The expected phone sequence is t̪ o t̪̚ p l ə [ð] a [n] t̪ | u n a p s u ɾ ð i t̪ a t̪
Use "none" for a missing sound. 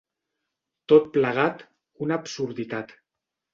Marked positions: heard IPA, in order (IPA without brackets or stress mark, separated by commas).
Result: ɣ, none